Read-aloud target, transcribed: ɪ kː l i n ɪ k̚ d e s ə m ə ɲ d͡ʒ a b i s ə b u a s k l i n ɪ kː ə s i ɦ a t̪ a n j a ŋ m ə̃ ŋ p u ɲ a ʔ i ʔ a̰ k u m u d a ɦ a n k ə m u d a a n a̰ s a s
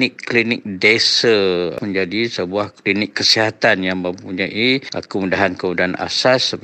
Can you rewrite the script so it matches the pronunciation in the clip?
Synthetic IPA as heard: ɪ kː l i n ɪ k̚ d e s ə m ə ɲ d͡ʒ a d i s ə b u a h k l i n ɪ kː ə s i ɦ a t̪ a n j a ŋ m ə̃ m p u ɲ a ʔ i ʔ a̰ k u m u d a ɦ a n k ə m u d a a n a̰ s a s